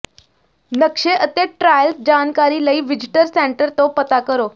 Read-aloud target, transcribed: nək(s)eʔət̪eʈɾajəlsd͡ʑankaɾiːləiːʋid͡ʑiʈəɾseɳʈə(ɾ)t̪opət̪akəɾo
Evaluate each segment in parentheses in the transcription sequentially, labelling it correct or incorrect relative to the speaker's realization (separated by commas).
incorrect, correct